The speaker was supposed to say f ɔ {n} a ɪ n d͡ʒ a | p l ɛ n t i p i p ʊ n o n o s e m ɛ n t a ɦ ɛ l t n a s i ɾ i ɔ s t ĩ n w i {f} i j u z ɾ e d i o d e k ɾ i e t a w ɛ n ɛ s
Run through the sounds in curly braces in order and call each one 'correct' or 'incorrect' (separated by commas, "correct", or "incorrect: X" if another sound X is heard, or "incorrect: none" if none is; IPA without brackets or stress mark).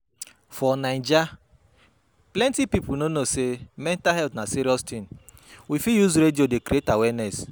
correct, correct